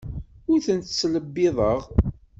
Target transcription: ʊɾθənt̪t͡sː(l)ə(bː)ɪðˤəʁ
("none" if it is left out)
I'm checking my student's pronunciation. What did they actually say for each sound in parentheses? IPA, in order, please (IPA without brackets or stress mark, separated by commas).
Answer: l, bː